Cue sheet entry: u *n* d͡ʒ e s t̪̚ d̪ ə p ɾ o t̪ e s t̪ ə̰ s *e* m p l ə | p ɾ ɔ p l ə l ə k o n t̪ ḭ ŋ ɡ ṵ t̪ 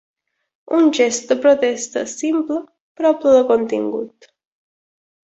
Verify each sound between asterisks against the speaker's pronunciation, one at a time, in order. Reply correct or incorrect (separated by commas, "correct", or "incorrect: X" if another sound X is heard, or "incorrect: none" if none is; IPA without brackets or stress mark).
correct, incorrect: i